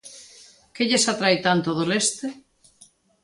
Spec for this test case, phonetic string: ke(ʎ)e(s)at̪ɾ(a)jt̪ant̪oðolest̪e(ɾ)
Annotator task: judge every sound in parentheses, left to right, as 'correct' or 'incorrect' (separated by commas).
correct, correct, correct, incorrect